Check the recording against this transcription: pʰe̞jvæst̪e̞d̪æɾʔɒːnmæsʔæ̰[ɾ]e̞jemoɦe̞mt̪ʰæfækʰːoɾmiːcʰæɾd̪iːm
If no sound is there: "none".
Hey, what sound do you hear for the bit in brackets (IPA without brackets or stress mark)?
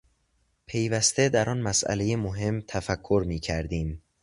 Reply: l